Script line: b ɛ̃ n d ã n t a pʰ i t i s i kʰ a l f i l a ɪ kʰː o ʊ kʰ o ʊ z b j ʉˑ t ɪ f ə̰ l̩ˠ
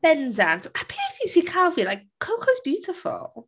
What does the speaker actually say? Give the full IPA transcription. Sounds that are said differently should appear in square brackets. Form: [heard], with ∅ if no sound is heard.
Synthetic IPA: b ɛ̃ n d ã n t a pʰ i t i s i kʰ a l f i l a ɪ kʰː o ʊ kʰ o ʊ z b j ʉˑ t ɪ f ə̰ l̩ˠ